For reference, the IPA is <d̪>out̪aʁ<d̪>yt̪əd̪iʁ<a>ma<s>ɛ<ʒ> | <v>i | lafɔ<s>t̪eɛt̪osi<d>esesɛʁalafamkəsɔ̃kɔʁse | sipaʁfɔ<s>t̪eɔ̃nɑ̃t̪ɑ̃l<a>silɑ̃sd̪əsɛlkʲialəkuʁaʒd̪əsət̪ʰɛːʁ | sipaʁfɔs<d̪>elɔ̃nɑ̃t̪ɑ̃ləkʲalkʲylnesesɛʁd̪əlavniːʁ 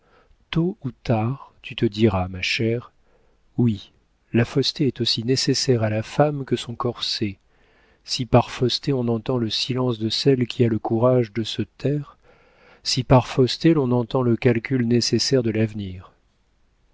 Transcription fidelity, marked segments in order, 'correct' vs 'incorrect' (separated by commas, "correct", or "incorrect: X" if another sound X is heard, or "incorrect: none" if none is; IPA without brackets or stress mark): incorrect: t̪, incorrect: t̪, correct, incorrect: ʃ, incorrect: ʁ, incorrect: w, correct, incorrect: n, correct, incorrect: ə, incorrect: t̪